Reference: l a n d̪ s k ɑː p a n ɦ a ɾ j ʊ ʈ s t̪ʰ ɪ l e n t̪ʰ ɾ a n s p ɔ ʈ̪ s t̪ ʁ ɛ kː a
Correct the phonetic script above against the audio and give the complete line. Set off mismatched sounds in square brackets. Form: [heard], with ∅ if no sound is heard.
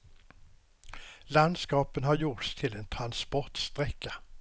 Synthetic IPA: l a n d̪ s k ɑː p [ə] n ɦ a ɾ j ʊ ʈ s t̪ʰ ɪ l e n t̪ʰ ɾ a n s p ɔ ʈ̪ s t̪ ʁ ɛ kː a